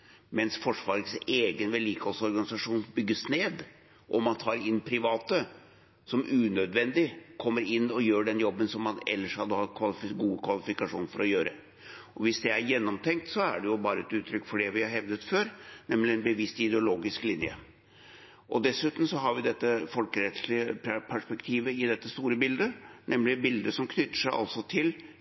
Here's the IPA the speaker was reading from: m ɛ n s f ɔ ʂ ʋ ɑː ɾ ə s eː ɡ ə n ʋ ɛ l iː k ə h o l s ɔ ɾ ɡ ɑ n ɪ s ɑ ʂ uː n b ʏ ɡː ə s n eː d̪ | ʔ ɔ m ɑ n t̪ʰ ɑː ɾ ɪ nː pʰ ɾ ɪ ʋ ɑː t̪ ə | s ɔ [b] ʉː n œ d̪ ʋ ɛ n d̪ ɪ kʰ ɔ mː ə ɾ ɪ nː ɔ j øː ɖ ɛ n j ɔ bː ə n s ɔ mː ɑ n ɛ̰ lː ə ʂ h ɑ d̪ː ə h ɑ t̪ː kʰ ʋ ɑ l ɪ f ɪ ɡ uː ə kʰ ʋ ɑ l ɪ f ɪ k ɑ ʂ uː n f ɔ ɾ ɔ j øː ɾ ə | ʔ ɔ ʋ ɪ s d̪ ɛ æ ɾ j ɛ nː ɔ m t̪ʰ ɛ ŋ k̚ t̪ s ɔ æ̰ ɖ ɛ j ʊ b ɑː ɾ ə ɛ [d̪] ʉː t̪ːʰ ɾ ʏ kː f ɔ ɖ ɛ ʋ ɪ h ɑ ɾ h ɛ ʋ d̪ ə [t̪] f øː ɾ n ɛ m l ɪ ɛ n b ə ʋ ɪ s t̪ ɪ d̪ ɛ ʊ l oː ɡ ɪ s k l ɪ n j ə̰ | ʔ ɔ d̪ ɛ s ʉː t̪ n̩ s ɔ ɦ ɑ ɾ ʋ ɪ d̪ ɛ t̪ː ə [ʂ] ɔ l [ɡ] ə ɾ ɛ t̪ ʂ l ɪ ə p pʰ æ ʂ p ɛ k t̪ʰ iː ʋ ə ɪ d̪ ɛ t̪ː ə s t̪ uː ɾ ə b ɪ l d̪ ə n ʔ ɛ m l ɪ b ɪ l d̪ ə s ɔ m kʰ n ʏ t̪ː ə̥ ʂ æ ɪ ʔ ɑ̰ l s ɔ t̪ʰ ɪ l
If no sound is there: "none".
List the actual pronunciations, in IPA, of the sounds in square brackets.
m, t̪, t̪, f, k

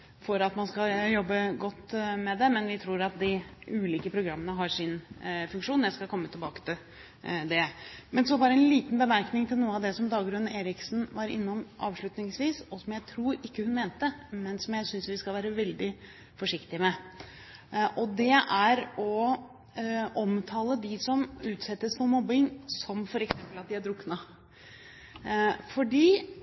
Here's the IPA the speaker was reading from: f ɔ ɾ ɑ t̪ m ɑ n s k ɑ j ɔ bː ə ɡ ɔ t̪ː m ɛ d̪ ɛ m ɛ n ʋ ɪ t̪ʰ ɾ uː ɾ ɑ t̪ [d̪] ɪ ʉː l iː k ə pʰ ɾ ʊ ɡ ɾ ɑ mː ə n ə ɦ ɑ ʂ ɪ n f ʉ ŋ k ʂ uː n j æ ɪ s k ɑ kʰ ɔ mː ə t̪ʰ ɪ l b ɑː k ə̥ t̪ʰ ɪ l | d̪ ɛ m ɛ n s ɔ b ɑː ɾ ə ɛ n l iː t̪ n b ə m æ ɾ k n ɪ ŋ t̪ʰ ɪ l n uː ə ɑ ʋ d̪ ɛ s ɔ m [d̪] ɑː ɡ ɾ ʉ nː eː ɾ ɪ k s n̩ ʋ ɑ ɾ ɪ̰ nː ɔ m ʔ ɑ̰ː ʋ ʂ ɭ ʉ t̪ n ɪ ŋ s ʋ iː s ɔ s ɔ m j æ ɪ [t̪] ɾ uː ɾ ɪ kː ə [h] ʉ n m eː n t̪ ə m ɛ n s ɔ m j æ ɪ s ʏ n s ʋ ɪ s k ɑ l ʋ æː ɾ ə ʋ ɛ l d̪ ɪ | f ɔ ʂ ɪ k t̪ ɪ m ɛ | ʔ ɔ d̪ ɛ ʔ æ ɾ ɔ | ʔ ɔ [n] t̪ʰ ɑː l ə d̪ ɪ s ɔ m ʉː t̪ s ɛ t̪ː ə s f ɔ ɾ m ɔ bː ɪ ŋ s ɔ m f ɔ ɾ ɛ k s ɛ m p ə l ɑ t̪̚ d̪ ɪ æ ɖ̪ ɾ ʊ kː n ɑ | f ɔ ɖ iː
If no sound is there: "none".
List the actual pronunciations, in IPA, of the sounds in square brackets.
d̪, d̪, t̪ʰ, h, m

